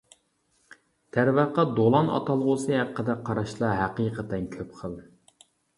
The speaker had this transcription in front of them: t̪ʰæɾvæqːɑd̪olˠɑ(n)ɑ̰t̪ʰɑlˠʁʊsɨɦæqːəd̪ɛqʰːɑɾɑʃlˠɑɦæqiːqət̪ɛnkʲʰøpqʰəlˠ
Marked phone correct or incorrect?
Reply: correct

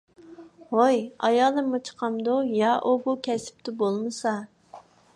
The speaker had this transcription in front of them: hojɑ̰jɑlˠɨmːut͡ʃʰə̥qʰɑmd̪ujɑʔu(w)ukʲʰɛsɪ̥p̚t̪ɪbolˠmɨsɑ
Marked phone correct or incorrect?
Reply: incorrect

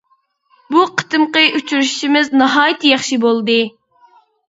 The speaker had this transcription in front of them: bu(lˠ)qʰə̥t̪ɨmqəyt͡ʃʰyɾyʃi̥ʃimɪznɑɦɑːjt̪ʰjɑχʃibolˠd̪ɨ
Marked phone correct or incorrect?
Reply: incorrect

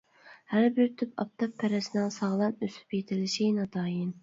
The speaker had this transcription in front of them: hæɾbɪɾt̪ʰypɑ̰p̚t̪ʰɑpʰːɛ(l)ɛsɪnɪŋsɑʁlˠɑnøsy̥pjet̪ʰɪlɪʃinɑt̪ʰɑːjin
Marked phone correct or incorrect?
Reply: incorrect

